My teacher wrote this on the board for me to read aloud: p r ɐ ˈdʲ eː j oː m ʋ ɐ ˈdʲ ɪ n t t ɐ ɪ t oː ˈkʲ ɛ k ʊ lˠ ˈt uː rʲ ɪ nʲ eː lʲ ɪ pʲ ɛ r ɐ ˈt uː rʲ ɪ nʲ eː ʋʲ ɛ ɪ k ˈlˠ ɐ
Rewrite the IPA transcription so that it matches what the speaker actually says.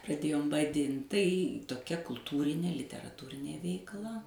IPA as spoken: p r ɐ ˈdʲ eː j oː m ʋ ɐ ˈdʲ ɪ n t t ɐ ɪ t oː ˈkʲ ɛ k ʊ lˠ ˈt uː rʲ ɪ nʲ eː lʲ ɪ tʲ ɛ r ɐ ˈt uː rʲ ɪ nʲ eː ʋʲ ɛ ɪ k ˈlˠ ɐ